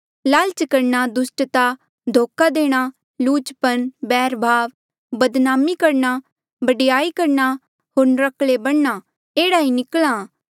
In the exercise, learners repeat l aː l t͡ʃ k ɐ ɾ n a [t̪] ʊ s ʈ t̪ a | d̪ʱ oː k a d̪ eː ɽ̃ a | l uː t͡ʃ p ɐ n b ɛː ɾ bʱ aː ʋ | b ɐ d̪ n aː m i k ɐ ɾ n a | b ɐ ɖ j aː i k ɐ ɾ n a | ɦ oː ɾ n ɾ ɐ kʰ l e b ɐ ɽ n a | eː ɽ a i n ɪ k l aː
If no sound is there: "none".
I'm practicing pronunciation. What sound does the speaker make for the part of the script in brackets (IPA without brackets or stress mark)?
d̪